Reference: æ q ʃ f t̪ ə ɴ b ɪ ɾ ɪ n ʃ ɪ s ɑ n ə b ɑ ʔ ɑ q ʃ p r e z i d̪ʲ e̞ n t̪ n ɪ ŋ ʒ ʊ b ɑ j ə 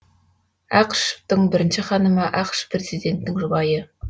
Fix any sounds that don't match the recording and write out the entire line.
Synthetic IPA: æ q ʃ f t̪ ə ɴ b ɪ ɾ ɪ n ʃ ɪ χ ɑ n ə m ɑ ʔ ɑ q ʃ p r e z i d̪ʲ e̞ n t̪ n ɪ ŋ ʒ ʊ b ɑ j ə